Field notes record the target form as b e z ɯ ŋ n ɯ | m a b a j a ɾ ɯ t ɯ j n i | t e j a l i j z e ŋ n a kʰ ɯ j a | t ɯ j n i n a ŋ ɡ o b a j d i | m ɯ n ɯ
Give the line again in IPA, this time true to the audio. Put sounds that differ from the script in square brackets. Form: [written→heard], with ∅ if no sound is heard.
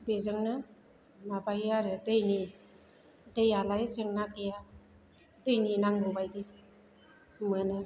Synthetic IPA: b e z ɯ ŋ n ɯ | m a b a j a ɾ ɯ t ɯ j n i | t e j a l [i→a] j [z→s] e ŋ n a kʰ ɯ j a | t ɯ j n i n a ŋ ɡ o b a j d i | m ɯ n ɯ